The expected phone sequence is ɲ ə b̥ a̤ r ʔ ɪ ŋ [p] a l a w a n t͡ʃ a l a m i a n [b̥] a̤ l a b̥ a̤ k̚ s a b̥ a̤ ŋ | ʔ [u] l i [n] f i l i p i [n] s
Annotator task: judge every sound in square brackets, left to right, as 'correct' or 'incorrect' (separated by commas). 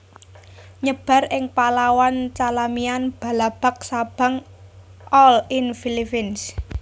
correct, correct, incorrect, correct, correct